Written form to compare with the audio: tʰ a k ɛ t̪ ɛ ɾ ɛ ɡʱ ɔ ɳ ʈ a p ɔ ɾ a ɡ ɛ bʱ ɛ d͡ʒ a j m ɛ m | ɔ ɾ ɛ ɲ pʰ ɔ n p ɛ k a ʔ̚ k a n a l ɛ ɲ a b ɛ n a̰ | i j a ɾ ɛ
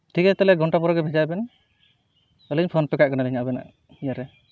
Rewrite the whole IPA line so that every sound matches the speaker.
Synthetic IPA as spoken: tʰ i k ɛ t̪ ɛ l ɛ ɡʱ ɔ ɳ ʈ a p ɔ ɾ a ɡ ɛ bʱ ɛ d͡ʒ a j b ɛ n | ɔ l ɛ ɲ pʰ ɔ n p ɛ k a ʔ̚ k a n a l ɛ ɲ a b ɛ n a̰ | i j a ɾ ɛ